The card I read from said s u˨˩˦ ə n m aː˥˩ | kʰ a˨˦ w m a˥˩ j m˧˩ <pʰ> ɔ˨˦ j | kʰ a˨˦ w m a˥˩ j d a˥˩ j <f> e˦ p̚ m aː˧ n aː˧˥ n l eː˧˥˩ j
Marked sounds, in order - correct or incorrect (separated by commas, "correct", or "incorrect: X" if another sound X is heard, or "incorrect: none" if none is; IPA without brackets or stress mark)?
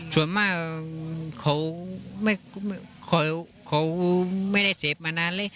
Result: incorrect: kʰ, incorrect: s